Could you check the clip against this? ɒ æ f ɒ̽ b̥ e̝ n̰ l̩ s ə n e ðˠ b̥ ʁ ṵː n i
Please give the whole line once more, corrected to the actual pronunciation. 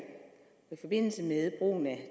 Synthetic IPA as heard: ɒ i f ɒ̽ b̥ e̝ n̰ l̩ s ə m e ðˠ b̥ ʁ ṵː n æ